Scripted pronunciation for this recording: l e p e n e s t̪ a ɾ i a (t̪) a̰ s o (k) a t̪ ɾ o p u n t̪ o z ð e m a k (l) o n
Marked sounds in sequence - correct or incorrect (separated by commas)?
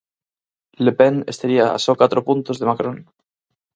incorrect, correct, incorrect